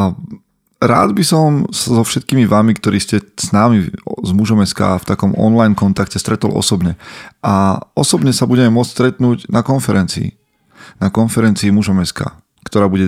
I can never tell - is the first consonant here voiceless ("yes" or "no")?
no